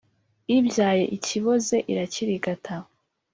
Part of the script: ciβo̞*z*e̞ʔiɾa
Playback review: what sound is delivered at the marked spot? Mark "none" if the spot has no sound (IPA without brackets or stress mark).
z